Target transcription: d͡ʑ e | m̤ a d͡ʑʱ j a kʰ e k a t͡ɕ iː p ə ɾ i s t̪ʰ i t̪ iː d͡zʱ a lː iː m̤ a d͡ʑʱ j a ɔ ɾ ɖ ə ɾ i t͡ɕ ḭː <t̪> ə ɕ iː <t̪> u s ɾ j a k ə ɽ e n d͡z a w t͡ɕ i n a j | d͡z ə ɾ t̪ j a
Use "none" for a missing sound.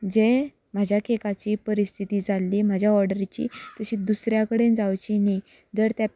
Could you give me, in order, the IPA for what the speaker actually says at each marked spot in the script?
t̪, d̪

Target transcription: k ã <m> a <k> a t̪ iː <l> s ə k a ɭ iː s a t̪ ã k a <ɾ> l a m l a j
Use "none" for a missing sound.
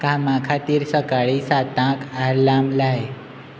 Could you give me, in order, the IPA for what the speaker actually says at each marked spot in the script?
m, kʰ, ɾ, ɾ

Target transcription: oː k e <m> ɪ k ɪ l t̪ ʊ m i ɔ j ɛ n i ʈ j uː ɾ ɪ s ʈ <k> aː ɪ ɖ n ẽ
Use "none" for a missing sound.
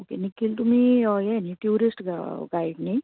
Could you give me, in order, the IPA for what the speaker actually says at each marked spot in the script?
n, ɡ

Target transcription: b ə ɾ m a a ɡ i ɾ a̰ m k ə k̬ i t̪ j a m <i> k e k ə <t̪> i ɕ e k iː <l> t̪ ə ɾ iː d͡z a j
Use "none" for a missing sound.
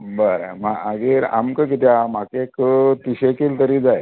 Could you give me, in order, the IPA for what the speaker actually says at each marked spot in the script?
a, t̪, l

